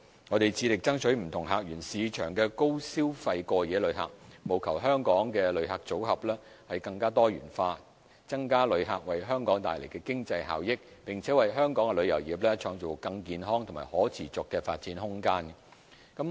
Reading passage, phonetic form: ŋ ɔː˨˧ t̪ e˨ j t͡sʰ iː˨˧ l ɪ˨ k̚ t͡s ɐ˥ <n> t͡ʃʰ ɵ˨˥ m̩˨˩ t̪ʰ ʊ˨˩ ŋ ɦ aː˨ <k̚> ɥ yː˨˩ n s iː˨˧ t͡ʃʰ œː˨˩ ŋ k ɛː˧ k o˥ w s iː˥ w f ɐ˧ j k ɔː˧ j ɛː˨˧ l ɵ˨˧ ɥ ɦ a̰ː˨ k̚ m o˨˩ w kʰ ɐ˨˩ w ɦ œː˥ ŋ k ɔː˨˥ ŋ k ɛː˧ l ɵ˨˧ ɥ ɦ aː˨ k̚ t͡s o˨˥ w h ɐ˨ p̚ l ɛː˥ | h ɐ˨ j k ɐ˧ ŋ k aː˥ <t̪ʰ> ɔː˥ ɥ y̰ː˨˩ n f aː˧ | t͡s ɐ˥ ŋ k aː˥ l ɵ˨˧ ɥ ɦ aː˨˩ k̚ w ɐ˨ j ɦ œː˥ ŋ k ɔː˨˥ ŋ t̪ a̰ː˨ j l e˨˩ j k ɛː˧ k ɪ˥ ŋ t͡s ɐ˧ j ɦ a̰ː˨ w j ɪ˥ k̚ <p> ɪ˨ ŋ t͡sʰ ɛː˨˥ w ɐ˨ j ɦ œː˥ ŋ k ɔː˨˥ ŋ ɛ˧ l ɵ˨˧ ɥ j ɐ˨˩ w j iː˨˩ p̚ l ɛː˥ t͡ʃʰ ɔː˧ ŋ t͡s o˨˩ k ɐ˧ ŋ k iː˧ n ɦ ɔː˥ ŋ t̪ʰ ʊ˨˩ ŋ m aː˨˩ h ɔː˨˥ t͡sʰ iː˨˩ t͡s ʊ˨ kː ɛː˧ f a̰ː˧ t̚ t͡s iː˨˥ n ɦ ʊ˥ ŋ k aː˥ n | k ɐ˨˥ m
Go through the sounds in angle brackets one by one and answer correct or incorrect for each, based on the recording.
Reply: incorrect, correct, incorrect, correct

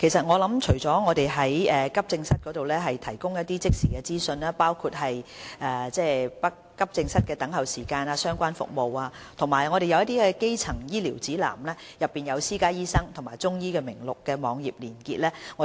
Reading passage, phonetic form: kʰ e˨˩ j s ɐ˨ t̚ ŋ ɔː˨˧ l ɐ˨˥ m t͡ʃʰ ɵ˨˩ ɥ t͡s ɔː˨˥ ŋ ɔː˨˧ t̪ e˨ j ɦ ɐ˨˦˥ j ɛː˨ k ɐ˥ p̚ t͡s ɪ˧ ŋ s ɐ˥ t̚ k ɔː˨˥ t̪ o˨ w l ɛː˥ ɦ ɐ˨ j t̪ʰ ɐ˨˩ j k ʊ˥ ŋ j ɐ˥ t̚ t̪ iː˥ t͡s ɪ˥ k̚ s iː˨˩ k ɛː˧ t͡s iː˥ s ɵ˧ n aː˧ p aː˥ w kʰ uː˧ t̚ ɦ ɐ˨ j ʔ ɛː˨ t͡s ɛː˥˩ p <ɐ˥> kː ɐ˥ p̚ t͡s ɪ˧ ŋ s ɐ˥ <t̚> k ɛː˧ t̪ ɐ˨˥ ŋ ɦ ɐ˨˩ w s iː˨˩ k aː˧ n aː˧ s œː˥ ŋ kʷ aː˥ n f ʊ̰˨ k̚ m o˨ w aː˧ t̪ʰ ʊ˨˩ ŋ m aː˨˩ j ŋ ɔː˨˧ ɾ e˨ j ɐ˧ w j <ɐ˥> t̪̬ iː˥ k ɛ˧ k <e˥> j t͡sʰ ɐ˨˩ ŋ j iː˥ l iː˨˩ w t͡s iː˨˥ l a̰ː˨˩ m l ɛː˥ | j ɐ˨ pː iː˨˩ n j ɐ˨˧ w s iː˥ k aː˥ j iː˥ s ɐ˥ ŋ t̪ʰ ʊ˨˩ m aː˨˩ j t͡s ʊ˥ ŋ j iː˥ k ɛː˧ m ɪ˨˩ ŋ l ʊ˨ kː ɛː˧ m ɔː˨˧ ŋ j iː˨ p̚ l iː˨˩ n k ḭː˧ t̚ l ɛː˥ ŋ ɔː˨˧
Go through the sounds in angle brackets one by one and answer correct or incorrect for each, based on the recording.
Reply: correct, correct, correct, correct

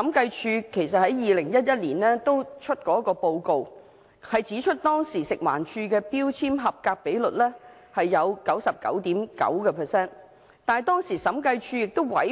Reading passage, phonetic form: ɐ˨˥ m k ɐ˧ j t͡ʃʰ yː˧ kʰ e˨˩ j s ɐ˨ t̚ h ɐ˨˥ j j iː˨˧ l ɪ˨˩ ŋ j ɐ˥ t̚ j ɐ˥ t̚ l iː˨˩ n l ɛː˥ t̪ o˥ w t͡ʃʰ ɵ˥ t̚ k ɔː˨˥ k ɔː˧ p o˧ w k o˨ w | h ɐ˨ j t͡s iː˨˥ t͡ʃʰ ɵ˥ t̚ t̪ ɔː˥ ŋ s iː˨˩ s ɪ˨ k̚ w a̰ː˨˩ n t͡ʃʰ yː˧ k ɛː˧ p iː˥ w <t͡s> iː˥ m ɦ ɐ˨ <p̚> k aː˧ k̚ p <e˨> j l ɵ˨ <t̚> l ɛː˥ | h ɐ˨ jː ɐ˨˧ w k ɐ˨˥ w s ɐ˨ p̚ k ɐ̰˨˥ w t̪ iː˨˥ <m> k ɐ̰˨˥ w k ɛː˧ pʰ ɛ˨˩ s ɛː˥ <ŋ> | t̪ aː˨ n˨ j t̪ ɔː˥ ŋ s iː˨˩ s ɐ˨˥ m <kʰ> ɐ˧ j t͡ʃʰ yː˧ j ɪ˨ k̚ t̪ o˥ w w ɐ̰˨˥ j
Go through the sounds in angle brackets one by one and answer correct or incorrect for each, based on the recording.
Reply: incorrect, correct, incorrect, correct, correct, incorrect, incorrect

